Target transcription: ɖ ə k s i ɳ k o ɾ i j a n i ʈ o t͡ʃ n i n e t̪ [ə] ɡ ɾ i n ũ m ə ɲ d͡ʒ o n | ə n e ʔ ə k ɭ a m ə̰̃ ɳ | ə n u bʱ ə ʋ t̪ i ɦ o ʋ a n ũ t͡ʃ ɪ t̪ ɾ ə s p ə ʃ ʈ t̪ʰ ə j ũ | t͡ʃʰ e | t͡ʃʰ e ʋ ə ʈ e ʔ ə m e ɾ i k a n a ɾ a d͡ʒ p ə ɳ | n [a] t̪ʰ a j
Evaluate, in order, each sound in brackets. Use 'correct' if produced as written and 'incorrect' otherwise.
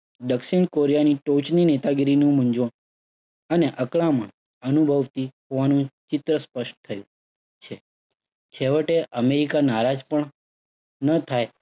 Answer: incorrect: a, incorrect: ə

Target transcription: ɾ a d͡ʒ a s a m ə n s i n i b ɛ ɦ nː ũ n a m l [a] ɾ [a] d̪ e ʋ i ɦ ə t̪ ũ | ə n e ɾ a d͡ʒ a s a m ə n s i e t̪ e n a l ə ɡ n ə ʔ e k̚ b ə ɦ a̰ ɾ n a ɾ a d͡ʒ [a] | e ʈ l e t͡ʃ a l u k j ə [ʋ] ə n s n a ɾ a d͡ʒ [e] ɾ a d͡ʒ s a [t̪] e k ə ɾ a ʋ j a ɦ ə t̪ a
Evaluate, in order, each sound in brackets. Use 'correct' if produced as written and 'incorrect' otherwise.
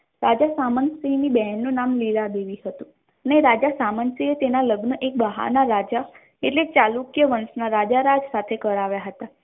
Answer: incorrect: i, correct, correct, correct, incorrect: a, incorrect: t̪ʰ

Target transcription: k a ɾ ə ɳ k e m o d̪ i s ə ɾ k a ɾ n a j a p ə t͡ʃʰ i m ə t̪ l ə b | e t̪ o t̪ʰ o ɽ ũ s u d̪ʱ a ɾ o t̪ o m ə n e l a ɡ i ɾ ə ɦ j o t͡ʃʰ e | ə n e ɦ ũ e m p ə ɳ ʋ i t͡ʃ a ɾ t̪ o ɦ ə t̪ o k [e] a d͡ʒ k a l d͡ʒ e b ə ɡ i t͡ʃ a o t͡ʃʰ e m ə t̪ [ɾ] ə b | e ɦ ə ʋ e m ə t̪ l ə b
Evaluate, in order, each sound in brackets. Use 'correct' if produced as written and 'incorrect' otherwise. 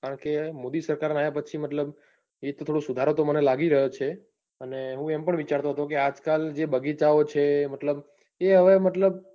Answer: correct, incorrect: l

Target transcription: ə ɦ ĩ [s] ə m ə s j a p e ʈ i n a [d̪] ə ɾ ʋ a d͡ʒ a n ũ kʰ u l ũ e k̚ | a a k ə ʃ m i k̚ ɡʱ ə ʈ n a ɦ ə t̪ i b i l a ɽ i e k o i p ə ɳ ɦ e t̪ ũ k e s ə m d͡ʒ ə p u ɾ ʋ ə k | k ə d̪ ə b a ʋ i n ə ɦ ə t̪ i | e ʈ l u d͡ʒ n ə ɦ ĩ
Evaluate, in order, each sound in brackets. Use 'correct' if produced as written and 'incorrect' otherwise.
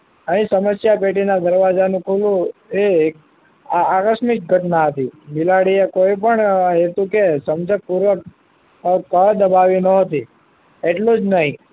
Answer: correct, correct

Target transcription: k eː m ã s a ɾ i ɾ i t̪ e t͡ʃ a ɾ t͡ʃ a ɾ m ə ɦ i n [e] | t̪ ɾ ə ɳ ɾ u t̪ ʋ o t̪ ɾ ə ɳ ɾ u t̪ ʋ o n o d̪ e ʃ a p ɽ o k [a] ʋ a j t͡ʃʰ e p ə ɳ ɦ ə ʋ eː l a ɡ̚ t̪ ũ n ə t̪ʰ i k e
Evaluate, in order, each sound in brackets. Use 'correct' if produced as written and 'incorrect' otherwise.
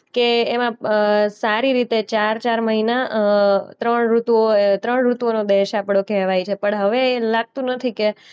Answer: incorrect: a, incorrect: ɛ

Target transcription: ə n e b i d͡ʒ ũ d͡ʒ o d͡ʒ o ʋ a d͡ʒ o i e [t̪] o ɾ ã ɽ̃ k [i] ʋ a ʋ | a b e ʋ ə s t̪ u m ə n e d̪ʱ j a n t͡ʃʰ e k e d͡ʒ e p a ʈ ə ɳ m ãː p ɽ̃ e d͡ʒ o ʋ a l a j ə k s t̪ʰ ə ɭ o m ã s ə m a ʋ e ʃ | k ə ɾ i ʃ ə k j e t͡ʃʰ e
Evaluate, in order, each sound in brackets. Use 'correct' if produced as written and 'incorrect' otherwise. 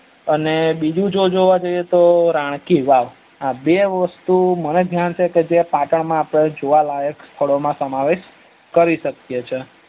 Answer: correct, correct

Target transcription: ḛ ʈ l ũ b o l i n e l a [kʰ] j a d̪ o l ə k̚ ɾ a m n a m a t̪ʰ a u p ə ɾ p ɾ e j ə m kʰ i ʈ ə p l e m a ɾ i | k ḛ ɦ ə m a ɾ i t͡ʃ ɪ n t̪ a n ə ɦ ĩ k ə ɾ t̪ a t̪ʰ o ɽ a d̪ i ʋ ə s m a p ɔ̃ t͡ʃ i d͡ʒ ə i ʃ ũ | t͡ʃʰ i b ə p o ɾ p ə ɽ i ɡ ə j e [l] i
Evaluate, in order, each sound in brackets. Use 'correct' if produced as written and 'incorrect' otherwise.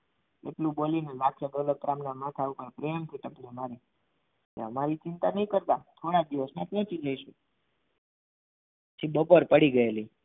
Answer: correct, correct

